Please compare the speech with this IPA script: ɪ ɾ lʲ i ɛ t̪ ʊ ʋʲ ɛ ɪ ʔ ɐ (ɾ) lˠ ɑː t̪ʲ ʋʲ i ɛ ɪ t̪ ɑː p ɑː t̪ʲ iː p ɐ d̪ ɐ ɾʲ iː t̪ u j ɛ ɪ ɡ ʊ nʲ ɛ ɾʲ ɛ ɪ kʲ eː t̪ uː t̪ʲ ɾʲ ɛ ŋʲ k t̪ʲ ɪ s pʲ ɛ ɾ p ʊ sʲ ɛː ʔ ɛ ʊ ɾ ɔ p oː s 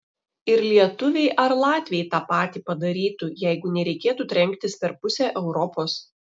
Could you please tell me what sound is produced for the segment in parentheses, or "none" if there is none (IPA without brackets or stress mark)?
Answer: ɾ